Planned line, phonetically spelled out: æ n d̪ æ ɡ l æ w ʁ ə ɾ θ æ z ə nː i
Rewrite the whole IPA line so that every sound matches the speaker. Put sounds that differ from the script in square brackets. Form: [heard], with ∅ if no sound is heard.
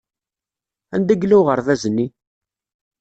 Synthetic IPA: æ n d̪ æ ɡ l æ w ʁ ə ɾ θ æ z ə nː i